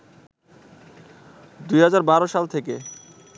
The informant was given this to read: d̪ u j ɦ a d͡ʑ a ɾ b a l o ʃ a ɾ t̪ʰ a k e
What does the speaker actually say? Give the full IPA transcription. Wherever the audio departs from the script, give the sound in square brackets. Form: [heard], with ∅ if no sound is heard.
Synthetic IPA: d̪ u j ɦ a d͡ʑ a ɾ b a [ɾ] o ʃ a [l] t̪ʰ [e] k e